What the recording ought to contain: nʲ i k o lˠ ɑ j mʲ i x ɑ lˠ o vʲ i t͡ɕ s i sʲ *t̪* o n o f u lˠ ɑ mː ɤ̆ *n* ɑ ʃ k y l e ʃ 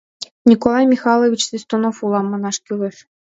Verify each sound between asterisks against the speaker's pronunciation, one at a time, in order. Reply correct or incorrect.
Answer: correct, correct

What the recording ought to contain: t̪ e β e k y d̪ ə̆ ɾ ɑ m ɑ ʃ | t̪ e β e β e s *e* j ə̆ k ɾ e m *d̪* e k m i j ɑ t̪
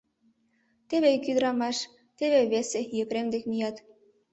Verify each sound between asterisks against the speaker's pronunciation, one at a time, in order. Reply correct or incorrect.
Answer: correct, correct

